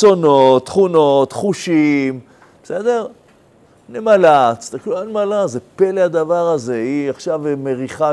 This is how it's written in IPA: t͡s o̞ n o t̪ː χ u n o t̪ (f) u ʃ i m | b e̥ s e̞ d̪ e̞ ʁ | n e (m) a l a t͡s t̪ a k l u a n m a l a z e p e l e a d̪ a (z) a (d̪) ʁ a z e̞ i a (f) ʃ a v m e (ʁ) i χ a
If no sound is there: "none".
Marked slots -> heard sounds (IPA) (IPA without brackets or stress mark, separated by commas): χ, m, v, none, χ, ʁ